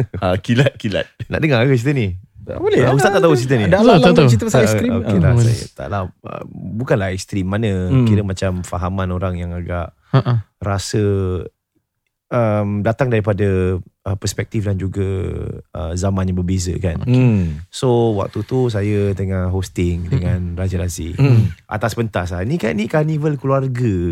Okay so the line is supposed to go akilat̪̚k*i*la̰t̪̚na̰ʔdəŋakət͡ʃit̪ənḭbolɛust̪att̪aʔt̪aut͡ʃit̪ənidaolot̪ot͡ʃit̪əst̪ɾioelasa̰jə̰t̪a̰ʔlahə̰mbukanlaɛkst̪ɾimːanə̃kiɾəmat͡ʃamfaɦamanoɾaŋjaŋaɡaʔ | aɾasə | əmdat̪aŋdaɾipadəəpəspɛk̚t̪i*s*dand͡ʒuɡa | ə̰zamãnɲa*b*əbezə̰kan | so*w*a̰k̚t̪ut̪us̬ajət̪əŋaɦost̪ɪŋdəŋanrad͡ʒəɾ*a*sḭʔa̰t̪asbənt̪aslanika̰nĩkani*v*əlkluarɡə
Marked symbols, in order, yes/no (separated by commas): yes, no, yes, yes, yes, yes